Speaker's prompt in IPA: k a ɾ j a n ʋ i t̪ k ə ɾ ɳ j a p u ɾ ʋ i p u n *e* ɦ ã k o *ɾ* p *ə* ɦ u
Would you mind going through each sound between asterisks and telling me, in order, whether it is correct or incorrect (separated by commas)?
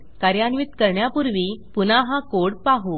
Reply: incorrect, incorrect, incorrect